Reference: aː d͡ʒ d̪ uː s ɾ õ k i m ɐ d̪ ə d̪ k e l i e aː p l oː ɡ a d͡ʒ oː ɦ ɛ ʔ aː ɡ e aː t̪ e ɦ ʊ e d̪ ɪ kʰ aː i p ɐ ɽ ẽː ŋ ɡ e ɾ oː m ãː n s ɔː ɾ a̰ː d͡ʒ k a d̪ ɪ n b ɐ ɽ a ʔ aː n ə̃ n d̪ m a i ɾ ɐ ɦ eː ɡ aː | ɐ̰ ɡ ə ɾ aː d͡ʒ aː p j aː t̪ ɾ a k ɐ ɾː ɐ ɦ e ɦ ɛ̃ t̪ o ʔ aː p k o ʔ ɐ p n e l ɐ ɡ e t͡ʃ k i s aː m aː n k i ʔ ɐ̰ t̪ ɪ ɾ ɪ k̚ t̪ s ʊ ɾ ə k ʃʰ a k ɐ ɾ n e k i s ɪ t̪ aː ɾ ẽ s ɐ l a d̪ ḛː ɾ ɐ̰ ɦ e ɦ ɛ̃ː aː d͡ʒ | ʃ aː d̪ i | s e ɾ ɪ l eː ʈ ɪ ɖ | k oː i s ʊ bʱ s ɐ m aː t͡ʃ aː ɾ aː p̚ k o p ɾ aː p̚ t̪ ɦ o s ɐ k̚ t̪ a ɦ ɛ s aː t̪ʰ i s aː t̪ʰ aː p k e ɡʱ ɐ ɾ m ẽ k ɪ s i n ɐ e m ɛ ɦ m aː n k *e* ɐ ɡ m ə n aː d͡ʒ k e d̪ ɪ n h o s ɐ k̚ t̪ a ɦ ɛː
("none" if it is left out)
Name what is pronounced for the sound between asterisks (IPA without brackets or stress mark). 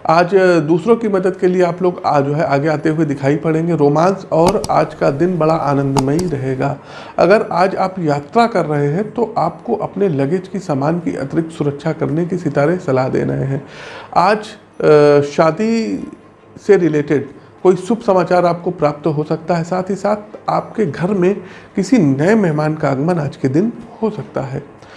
a